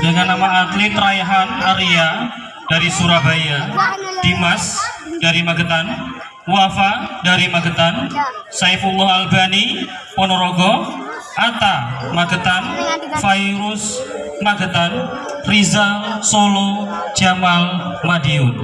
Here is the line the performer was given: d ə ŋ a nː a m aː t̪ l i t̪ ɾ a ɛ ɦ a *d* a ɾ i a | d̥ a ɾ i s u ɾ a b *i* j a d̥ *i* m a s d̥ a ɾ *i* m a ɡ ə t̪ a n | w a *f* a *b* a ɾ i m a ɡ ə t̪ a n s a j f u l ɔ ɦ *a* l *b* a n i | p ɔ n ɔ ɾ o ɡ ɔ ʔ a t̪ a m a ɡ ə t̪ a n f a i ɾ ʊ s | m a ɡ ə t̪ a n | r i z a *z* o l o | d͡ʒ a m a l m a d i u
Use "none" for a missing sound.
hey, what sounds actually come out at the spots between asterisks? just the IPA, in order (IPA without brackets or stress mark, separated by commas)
n, a, i, i, f, d, a, b, s